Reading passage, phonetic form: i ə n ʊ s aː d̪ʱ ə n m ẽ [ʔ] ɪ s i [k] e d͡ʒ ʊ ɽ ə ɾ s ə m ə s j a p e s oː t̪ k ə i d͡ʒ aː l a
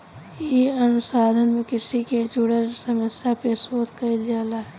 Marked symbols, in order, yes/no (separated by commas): no, yes